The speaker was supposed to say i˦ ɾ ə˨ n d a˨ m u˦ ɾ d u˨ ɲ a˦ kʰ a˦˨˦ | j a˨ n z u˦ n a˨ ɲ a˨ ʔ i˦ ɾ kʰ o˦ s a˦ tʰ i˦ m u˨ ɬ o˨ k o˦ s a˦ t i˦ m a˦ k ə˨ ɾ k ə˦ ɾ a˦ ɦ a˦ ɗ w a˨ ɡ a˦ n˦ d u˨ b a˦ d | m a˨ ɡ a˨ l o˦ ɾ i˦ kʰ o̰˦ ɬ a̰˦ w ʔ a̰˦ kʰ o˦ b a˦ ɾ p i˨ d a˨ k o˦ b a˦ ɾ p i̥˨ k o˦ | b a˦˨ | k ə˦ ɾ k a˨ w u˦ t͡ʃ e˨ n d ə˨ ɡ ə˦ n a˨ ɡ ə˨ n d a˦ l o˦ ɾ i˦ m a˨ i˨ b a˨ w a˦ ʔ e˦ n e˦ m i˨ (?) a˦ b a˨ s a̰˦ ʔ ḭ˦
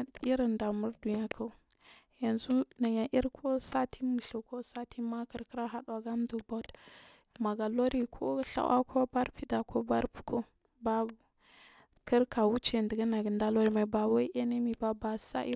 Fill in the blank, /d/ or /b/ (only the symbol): b